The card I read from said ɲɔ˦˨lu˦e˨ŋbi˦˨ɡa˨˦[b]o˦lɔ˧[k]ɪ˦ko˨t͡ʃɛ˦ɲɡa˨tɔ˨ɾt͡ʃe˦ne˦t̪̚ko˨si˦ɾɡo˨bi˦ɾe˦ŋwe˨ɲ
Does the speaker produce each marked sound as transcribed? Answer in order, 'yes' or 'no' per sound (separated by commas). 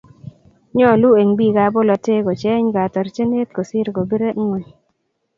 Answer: yes, no